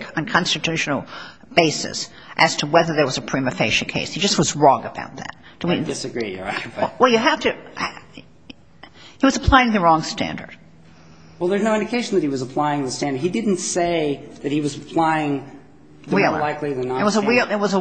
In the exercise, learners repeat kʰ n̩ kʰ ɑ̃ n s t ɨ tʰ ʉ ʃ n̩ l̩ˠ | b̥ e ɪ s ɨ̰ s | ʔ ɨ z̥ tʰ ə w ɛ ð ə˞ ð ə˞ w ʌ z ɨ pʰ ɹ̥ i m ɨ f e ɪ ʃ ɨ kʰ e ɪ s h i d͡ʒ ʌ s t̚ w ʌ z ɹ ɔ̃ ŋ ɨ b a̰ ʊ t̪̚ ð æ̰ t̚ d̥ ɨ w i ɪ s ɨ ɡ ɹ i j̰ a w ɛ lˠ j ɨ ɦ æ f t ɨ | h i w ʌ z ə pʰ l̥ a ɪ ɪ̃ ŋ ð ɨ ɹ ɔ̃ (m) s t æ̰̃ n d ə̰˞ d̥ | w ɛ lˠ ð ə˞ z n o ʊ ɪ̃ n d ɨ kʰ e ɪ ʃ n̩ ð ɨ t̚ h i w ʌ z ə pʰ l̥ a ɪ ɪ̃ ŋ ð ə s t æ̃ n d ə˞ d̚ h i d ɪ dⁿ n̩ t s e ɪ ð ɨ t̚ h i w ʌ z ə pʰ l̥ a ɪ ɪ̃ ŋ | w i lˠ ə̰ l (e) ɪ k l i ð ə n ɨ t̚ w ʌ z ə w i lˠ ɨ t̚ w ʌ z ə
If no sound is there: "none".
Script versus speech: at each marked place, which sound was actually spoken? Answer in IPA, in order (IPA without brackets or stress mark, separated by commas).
ŋ, a